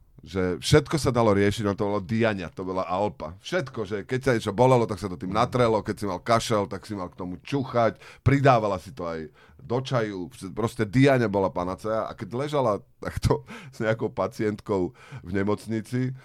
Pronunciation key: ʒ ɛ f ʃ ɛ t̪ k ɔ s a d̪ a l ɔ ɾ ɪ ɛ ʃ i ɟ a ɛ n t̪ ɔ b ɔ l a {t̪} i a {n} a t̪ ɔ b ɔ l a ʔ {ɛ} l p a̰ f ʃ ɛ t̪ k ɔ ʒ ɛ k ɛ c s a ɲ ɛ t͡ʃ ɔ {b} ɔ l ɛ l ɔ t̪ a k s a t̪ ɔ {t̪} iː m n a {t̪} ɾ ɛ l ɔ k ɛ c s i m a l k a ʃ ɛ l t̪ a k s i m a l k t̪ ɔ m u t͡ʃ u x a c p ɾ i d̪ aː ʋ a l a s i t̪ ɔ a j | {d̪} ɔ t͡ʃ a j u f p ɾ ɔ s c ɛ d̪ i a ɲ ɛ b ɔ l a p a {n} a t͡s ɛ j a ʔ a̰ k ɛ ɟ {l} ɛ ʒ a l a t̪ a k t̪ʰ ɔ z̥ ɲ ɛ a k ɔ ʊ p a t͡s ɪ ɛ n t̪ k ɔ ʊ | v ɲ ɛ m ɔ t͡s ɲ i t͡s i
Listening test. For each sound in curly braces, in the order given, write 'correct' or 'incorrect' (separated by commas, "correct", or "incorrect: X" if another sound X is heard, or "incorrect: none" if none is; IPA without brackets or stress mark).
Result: incorrect: d̪, incorrect: ɲ, incorrect: a, correct, correct, correct, correct, correct, correct